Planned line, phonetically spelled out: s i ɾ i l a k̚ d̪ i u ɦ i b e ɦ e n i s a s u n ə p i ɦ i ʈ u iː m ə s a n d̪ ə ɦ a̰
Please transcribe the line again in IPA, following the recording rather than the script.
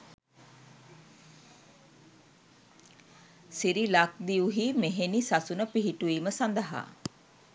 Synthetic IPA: s i ɾ i l a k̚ d̪ i u ɦ i m e ɦ e n i s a s u n ə p i ɦ i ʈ u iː m ə s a n d̪ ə ɦ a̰